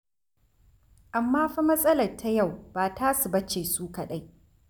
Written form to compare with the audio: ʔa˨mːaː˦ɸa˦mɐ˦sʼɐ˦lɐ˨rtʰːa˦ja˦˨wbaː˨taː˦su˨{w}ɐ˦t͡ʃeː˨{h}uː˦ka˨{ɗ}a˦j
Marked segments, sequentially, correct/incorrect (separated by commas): incorrect, incorrect, correct